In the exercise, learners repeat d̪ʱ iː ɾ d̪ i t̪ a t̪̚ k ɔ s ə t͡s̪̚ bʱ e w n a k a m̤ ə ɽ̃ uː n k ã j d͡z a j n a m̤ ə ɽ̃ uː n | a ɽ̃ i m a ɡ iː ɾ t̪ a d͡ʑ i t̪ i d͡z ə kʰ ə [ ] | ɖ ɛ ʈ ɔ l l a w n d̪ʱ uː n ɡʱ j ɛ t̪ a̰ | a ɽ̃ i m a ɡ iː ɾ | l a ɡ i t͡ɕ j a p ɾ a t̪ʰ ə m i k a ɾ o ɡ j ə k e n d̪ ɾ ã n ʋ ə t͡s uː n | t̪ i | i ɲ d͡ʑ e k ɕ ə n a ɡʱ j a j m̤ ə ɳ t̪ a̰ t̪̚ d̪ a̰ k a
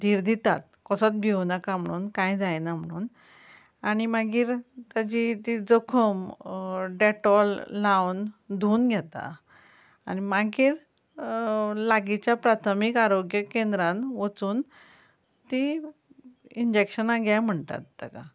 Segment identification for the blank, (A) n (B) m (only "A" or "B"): B